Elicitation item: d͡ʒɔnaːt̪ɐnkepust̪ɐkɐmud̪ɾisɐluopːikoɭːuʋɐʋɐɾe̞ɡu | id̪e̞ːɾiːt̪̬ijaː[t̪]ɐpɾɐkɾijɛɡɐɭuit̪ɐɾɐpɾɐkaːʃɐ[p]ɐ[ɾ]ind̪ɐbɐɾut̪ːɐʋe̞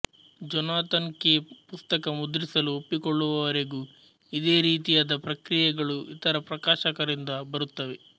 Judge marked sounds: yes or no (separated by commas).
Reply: no, no, yes